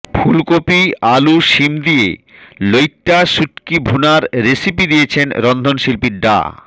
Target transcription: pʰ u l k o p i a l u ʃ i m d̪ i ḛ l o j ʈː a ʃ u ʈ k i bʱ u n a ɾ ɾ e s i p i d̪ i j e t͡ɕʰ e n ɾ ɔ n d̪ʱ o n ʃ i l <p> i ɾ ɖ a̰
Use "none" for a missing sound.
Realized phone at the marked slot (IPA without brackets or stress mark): p